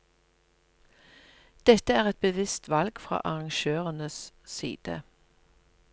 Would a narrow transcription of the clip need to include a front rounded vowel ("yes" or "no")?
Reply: yes